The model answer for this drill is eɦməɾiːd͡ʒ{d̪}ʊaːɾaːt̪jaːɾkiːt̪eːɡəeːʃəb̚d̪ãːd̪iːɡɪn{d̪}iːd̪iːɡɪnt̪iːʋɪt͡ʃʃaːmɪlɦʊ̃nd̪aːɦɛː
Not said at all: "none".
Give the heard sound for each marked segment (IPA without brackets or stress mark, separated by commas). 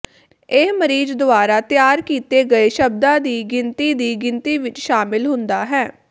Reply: d̪, t̪